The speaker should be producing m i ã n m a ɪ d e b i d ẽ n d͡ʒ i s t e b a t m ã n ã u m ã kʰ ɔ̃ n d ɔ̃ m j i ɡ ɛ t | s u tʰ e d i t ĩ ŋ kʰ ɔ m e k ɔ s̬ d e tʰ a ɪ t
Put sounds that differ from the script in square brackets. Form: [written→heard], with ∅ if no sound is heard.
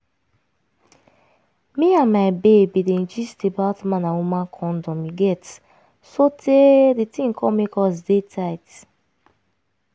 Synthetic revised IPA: m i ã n m a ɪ [d→b] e b i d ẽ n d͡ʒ i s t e b a t m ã n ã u m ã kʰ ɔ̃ n d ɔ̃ m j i ɡ ɛ t | s [u→o] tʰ e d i t ĩ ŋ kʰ ɔ m e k ɔ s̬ d e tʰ a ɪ t